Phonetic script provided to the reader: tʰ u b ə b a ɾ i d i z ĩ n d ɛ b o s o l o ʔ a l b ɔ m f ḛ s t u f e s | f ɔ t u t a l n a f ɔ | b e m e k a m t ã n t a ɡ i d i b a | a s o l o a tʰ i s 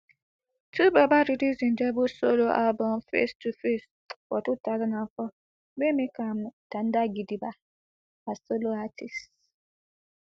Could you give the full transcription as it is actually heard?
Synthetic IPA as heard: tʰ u b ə b a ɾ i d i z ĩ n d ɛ b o s o l o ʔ a l b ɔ m f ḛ s t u f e s | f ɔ t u t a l n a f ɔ | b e m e k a m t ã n d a ɡ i d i b a | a s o l o a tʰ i s